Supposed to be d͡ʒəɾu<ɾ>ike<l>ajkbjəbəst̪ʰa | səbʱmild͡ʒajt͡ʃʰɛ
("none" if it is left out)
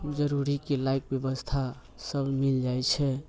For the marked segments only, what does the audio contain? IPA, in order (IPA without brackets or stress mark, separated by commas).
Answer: ɾ, l